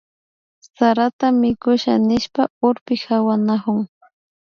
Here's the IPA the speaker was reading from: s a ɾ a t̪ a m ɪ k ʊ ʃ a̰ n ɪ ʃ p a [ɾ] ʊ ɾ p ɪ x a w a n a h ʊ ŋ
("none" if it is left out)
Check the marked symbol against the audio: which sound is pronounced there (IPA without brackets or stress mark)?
none